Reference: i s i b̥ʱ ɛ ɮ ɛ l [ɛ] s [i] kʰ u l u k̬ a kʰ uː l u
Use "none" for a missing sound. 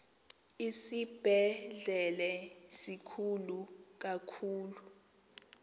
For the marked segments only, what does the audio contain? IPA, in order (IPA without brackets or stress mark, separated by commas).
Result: ɛ, i